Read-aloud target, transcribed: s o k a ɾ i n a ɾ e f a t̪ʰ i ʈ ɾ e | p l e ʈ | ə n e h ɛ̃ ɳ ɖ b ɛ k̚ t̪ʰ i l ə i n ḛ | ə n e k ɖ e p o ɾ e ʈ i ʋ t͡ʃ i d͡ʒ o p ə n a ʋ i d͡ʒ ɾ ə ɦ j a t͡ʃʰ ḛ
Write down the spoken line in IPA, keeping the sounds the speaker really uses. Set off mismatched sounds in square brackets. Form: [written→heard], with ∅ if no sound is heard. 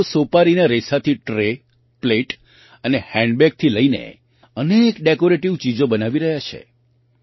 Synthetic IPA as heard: s o [k→p] a ɾ i n a ɾ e [f→s] a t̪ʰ i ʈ ɾ e | p l e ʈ | ə n e h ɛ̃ ɳ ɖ b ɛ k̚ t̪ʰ i l ə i n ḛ | ə n e k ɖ e [p→k] o ɾ e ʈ i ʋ t͡ʃ i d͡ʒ o [p→b] ə n a ʋ i [d͡ʒ→∅] ɾ ə ɦ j a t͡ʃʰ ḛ